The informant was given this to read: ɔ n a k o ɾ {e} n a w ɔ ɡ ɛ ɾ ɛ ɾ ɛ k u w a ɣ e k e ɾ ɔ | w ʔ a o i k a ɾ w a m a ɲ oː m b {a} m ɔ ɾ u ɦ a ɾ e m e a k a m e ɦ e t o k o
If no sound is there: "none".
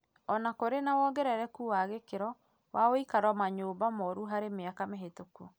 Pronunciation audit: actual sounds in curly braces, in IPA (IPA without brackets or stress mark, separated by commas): e, a